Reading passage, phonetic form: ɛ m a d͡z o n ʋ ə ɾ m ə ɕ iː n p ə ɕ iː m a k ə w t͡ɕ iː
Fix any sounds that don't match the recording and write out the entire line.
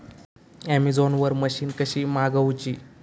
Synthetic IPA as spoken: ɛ m i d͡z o n ʋ ə ɾ m ə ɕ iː n k ə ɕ iː m a ɡ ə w t͡ɕ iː

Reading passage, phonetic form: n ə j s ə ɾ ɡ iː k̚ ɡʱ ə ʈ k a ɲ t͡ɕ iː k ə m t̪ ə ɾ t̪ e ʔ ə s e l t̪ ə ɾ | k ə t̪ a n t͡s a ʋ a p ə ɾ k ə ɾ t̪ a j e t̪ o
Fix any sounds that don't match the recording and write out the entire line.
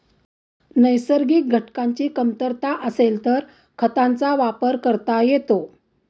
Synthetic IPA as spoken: n ə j s ə ɾ ɡ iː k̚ ɡʱ ə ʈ k a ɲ t͡ɕ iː k ə m t̪ ə ɾ t̪ a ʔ ə s e l t̪ ə ɾ | kʰ ə t̪ a n t͡s a ʋ a p ə ɾ k ə ɾ t̪ a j e t̪ o

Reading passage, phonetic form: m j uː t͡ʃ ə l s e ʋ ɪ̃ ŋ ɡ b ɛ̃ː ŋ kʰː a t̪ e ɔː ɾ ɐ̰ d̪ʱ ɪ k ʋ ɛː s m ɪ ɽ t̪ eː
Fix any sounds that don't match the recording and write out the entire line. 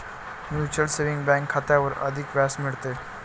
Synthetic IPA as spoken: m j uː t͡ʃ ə l s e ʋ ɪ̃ ŋ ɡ b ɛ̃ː ŋ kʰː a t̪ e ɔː ɾ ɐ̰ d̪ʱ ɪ k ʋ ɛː s m ɪ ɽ t̪ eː

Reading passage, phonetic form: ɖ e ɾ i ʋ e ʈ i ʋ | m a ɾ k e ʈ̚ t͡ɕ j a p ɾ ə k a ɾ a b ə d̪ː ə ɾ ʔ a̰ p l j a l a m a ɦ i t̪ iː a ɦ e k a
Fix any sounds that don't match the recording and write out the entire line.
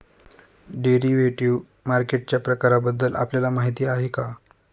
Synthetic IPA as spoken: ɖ e ɾ i ʋ e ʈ i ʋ | m a ɾ k e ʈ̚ t͡ɕ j a p ɾ ə k a ɾ a b ə d̪ː ə l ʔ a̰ p l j a l a m a ɦ i t̪ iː a ɦ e k a

